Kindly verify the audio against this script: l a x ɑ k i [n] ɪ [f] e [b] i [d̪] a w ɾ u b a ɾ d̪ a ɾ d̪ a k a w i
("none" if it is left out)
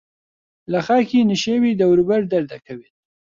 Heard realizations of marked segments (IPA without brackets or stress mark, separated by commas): n, ʃ, w, d̪